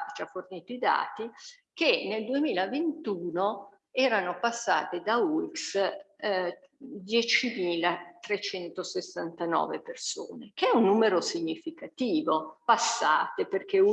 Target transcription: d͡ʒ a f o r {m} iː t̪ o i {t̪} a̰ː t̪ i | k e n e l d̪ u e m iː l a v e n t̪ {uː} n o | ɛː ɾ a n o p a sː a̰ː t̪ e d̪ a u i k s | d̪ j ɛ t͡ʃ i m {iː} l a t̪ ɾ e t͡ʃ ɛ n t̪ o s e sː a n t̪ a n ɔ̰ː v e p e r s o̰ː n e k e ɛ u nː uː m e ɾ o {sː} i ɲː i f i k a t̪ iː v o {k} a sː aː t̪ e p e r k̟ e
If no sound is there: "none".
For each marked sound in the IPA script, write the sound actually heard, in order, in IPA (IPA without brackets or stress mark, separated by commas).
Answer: n, d̪, uː, iː, s, p